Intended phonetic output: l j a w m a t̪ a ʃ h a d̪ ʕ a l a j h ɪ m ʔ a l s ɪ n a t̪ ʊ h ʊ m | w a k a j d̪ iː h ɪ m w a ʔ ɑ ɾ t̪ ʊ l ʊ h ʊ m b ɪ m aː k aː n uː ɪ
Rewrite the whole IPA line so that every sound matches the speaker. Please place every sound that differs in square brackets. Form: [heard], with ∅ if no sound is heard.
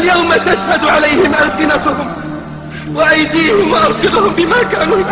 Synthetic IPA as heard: l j a w m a t̪ a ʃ h a d̪ ʕ a l a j h ɪ m ʔ a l s ɪ n a t̪ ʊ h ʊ m | w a [ʔ] a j d̪ iː h ɪ m w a ʔ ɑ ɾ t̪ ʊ l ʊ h ʊ m b ɪ m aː k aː n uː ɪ